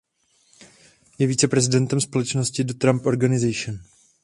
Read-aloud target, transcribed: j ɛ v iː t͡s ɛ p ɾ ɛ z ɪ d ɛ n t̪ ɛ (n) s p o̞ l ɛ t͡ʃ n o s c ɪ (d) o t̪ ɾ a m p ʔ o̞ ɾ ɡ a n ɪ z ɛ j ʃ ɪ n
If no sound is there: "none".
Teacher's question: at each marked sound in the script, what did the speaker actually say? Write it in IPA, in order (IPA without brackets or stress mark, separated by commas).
m, d